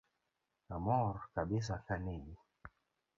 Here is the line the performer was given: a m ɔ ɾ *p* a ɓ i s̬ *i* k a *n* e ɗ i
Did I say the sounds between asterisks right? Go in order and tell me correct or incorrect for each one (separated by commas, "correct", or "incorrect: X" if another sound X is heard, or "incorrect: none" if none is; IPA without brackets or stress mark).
incorrect: k, incorrect: a, correct